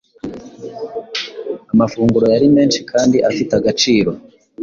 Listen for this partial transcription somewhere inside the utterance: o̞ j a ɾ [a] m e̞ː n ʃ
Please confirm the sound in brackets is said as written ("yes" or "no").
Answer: no